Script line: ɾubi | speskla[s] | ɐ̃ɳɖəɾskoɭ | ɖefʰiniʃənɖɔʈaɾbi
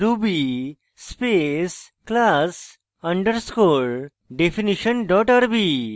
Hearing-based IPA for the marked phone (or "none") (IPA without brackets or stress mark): s